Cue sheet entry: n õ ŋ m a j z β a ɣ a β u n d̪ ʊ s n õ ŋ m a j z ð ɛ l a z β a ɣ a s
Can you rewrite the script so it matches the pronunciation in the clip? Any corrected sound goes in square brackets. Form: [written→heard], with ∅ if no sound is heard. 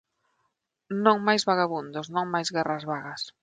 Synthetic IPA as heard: n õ ŋ m a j z β a ɣ a β u n d̪ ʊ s n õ ŋ m a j z [ð→ɣ] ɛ [l→r] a z β a ɣ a s